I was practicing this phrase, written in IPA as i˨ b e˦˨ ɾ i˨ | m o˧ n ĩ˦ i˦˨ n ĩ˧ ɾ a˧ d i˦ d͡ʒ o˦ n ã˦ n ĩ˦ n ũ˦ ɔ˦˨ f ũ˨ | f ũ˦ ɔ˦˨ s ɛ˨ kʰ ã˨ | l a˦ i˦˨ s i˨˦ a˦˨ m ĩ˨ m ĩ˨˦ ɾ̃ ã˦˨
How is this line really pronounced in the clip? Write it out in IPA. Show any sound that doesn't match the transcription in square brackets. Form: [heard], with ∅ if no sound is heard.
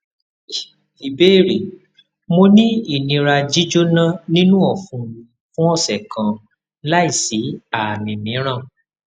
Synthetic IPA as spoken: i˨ b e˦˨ ɾ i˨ | m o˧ n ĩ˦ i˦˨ n ĩ˧ ɾ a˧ [d͡ʒ] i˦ d͡ʒ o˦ n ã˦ n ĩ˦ n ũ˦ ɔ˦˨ f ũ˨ | f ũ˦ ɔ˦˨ s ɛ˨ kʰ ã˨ | l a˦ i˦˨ s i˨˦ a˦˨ m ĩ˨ m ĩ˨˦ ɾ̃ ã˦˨

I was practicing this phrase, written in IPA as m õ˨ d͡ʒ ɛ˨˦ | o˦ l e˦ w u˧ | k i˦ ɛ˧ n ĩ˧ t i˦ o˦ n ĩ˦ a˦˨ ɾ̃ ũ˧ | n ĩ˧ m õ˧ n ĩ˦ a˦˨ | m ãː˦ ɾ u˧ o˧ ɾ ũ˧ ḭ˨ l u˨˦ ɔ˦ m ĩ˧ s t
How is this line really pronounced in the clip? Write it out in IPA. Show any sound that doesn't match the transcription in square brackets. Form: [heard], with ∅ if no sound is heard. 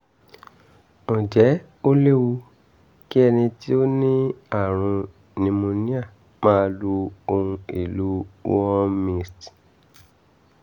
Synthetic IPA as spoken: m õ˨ d͡ʒ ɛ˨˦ | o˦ l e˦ w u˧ | k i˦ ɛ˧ n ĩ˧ t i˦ o˦ n ĩ˦ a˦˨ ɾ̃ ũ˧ | n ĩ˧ m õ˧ n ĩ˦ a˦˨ | m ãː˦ [l] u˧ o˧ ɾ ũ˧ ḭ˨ l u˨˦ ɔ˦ m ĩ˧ s t

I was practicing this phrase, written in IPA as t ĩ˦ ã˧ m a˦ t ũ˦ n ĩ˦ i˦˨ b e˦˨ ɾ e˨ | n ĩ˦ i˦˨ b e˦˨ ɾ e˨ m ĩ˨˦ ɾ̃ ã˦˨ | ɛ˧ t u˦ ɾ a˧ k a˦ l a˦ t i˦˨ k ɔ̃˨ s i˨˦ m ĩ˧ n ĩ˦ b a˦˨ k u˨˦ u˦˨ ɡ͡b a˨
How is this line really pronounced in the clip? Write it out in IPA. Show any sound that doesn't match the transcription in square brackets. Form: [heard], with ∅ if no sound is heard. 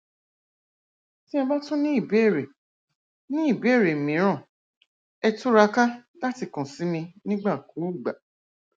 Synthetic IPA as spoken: t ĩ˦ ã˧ [b] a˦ t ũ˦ n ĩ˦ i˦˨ b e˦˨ ɾ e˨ | n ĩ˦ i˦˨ b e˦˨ ɾ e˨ m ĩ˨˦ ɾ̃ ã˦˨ | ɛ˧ t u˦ ɾ a˧ k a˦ l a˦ t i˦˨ k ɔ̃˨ s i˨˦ m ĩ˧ n ĩ˦ [ɡ͡b] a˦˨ k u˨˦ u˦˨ ɡ͡b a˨

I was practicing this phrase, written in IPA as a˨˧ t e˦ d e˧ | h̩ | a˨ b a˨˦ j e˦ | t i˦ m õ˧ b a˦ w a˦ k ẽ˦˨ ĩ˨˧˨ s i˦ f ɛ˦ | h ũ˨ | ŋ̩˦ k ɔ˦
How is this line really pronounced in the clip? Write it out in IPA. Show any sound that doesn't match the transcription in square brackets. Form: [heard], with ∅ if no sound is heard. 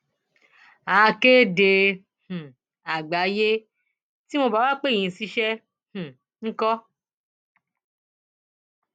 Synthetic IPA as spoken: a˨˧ [k] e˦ d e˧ | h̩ | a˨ [ɡ͡b] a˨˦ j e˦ | t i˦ m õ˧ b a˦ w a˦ [k͡p] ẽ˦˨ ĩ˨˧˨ s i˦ [ʃ] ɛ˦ | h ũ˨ | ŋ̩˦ k ɔ˦

